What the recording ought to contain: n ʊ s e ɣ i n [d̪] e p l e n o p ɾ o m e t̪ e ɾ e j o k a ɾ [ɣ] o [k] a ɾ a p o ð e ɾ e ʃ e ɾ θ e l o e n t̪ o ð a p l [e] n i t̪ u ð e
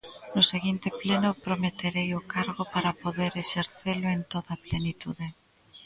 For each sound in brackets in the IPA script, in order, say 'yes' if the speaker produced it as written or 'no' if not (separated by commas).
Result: no, yes, no, yes